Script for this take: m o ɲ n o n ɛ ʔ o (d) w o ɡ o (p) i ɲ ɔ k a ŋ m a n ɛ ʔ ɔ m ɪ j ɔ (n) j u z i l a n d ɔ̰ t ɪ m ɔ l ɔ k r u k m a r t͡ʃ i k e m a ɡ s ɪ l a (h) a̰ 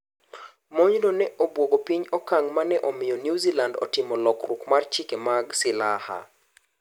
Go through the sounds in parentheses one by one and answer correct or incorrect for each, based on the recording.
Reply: incorrect: b, correct, correct, correct

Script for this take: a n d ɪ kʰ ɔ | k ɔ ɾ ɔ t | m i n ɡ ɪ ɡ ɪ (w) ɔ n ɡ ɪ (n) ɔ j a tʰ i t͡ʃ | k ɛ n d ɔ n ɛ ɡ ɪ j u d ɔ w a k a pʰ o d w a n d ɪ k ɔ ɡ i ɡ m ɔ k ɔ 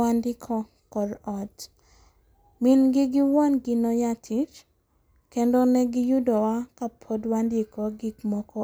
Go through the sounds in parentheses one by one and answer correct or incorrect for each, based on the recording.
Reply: correct, correct

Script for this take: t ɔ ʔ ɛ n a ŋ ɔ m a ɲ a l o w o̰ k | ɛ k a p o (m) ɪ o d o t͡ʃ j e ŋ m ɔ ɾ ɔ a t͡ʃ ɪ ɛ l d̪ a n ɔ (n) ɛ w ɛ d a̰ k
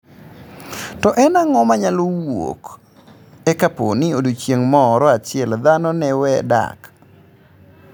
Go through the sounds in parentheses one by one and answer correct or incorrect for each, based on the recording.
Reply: incorrect: n, correct

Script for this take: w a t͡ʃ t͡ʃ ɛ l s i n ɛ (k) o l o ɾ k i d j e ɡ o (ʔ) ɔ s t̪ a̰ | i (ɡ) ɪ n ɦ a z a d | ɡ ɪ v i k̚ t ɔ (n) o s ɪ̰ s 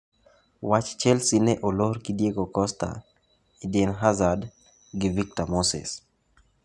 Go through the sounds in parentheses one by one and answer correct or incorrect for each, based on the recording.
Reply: incorrect: ʔ, incorrect: k, incorrect: d, incorrect: m

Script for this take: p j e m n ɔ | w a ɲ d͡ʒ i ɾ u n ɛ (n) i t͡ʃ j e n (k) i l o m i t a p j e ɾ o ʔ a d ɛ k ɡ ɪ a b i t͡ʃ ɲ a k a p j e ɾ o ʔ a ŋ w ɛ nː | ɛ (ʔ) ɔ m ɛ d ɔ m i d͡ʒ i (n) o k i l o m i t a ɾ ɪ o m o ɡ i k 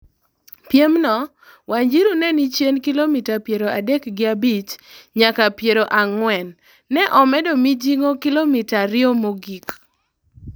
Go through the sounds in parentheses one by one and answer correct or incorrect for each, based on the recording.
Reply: correct, correct, correct, incorrect: ŋ

